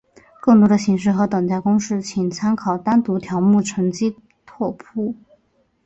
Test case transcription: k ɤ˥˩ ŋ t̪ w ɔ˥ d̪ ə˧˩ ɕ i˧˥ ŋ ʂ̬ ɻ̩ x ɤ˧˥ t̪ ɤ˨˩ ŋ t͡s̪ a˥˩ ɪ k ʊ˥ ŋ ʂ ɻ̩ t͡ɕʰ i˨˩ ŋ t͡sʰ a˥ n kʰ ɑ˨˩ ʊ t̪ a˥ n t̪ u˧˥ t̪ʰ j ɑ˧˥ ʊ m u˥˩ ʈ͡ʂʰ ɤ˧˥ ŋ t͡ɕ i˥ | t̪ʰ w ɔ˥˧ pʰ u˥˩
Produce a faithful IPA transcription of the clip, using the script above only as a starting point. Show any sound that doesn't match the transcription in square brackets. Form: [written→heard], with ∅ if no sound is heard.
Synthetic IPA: k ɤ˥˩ ŋ t̪ w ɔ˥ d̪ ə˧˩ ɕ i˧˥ ŋ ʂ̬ ɻ̩ x ɤ˧˥ t̪ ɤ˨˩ ŋ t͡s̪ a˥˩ ɪ k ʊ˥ ŋ ʂ ɻ̩ t͡ɕʰ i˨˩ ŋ t͡sʰ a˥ n kʰ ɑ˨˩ ʊ t̪ a˥ n t̪ u˧˥ t̪ʰ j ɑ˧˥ ʊ m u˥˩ ʈ͡ʂʰ ɤ˧˥ ŋ t͡ɕ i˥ | t̪ʰ w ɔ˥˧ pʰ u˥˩